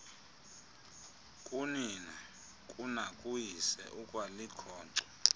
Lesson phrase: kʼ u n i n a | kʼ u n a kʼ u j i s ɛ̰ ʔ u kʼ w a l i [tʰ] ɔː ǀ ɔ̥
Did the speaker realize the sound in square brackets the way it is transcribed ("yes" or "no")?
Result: no